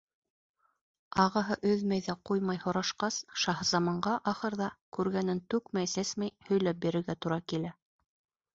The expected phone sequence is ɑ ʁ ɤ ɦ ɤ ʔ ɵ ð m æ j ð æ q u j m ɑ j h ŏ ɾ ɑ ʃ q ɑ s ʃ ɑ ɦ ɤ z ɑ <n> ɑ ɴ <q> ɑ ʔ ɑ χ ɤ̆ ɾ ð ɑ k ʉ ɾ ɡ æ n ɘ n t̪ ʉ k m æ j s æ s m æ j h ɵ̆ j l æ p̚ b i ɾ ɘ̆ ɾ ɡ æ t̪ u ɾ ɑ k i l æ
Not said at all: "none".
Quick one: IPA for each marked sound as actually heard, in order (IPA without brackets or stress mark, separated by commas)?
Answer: m, ɢ